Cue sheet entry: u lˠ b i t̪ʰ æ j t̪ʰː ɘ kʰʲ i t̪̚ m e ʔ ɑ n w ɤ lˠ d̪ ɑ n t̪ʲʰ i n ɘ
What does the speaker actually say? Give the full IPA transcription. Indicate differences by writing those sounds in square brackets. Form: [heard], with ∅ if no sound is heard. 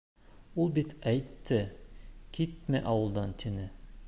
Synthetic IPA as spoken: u lˠ b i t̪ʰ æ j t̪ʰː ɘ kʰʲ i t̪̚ m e ʔ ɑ [∅] w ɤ lˠ d̪ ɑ n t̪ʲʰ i n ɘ